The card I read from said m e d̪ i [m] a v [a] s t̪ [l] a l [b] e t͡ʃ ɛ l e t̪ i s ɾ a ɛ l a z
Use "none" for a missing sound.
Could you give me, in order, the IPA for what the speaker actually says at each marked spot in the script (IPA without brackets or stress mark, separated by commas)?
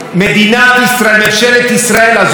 n, i, ɾ, m